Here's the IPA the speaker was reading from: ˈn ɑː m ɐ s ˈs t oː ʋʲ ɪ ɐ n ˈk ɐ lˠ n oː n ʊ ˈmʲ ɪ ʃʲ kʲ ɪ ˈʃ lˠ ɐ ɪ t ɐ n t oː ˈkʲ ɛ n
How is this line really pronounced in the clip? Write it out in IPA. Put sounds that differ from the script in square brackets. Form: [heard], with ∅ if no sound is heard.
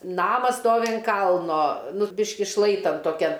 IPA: ˈn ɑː m ɐ s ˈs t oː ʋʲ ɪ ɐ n ˈk ɐ lˠ n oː n ʊ [ˈbʲ] ɪ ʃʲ kʲ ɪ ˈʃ lˠ ɐ ɪ t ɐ n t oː ˈkʲ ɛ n